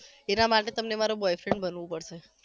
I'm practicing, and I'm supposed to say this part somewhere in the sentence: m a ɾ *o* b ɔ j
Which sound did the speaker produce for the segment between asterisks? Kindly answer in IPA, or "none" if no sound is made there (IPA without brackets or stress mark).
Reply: o